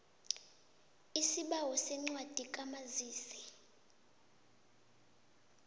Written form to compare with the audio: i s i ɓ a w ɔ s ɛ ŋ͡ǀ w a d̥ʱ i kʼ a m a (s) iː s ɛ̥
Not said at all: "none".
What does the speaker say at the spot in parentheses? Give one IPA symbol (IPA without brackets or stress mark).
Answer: z